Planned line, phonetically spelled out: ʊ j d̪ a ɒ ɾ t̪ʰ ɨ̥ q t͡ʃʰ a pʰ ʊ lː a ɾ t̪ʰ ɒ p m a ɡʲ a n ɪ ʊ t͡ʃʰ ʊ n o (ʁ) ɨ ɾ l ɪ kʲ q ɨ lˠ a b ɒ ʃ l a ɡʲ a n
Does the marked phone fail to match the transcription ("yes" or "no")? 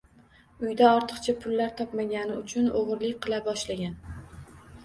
no